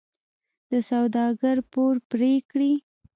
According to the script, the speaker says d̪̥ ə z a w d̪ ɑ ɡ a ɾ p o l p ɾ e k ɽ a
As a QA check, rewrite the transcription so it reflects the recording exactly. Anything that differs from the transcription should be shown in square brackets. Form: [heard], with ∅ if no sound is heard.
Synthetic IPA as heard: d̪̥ ə [s] a w d̪ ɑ ɡ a ɾ p o [ɾ] p ɾ e k ɽ [i]